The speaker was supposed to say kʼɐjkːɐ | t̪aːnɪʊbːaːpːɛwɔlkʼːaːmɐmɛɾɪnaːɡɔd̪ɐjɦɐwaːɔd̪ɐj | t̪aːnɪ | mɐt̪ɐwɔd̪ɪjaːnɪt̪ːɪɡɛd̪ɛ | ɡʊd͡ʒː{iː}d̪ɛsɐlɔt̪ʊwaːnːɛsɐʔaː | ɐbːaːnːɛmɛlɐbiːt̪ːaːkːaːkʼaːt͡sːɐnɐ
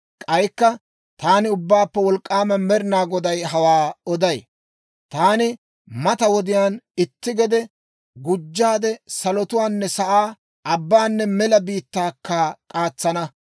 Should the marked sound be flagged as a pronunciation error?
yes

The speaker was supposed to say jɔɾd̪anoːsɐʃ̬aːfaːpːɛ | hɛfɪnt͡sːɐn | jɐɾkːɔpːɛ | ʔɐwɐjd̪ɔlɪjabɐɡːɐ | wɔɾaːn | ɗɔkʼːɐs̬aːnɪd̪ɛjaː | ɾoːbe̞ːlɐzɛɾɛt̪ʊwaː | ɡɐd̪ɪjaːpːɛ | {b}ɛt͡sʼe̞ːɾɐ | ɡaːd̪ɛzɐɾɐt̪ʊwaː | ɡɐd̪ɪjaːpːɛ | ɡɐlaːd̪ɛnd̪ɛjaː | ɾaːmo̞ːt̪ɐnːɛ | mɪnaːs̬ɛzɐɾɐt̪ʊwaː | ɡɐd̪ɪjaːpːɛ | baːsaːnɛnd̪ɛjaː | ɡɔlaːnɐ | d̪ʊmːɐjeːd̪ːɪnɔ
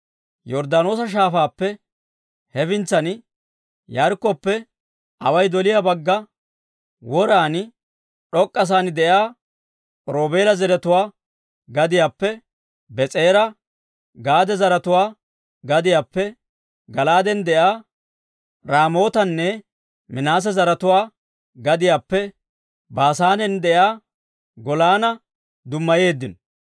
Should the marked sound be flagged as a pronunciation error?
no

